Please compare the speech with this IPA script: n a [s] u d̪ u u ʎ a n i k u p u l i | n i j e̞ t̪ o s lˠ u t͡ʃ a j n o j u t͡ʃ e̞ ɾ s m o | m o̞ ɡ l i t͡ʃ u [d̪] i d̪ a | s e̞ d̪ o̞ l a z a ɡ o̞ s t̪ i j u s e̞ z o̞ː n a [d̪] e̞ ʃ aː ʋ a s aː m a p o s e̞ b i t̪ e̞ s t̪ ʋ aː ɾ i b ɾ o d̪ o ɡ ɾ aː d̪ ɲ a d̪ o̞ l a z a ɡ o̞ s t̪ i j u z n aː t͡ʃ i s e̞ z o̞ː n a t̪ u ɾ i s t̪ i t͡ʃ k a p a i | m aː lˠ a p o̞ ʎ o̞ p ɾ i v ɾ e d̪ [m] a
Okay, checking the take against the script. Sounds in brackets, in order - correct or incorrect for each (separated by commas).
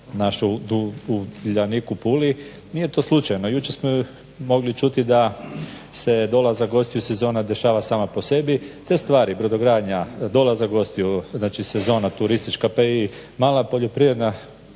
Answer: incorrect, incorrect, correct, incorrect